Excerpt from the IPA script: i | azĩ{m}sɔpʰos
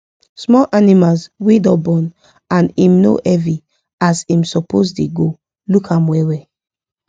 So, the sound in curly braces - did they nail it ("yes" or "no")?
yes